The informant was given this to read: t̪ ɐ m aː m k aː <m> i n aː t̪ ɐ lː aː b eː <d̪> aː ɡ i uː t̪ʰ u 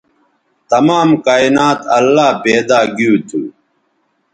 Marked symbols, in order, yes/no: no, yes

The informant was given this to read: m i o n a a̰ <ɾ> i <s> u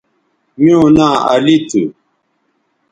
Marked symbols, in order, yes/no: no, no

